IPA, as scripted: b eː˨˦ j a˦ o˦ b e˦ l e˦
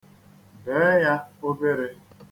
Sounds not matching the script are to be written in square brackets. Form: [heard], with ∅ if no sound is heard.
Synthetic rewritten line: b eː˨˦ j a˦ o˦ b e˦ [ɾ] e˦